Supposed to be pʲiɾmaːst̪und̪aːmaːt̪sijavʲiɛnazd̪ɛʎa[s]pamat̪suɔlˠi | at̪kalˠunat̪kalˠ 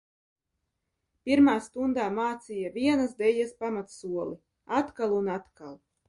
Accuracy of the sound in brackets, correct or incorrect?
correct